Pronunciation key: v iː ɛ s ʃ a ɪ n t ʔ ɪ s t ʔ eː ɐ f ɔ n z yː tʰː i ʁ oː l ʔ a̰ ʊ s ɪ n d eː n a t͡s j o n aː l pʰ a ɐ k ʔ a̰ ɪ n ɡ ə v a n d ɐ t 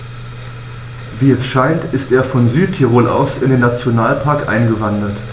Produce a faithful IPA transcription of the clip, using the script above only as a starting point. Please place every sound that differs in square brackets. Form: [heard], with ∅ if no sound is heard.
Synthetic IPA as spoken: v iː ɛ s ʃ a ɪ n t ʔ ɪ s t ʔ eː ɐ f ɔ n z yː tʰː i ʁ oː l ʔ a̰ ʊ s ɪ n d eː n a t͡s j o n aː l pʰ a ɐ k ʔ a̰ ɪ n ɡ ə v a n d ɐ t

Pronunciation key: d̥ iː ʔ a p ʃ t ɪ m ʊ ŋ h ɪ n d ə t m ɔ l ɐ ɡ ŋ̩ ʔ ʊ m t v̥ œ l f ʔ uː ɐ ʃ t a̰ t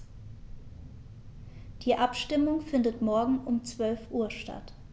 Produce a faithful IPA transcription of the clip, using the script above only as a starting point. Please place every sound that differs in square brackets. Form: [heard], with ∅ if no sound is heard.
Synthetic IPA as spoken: d̥ iː ʔ a p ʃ t ɪ m ʊ ŋ [f] ɪ n d ə t m ɔ [∅] ɐ ɡ ŋ̩ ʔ ʊ m [t͡s] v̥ œ l f ʔ uː ɐ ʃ t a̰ t

